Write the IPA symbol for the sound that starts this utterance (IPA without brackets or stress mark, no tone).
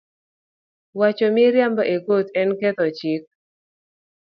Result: w